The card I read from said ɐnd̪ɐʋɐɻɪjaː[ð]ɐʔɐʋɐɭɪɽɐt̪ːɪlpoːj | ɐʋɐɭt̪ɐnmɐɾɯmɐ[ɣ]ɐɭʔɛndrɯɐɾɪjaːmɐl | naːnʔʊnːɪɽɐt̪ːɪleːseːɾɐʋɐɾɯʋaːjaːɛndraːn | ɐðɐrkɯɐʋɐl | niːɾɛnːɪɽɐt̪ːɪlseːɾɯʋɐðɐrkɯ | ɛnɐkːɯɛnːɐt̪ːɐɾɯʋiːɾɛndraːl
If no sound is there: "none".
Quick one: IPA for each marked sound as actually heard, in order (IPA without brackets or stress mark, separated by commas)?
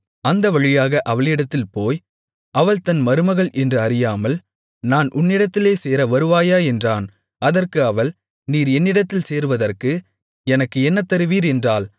ɣ, ɣ